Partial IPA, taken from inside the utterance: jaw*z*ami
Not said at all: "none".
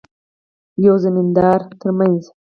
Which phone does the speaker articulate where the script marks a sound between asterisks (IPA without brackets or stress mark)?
z